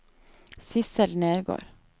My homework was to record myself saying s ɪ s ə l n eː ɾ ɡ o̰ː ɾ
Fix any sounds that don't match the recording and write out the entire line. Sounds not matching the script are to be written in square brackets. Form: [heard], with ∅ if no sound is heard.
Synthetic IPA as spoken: s ɪ s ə l n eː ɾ ɡ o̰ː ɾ